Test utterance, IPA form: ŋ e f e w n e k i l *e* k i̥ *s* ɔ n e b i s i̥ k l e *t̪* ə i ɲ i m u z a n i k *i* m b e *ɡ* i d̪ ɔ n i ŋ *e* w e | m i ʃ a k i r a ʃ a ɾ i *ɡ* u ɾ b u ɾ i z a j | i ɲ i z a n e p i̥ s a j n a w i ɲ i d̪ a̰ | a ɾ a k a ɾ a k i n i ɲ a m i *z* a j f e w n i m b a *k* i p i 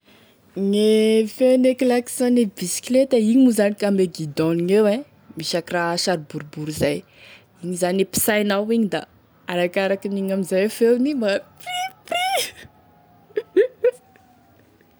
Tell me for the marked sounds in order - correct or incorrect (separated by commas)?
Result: incorrect, correct, correct, incorrect, correct, correct, incorrect, correct, incorrect